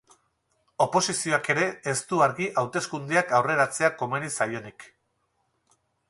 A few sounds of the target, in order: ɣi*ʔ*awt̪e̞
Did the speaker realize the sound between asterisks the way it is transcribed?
yes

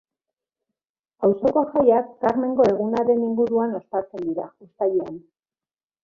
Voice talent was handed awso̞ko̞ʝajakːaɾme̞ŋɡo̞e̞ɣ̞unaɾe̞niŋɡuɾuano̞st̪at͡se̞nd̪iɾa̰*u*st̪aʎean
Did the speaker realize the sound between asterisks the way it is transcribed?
yes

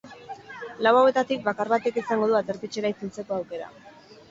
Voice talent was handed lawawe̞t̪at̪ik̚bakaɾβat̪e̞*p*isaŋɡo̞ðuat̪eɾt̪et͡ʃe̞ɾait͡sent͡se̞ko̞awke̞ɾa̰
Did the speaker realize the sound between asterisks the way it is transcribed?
no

